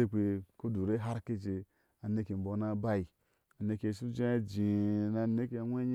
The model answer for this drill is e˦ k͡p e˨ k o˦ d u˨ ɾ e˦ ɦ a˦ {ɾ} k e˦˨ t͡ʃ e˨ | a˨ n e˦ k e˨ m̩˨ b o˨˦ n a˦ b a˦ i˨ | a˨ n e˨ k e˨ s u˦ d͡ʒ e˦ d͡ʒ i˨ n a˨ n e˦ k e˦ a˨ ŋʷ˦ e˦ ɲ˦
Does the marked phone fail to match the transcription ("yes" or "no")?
no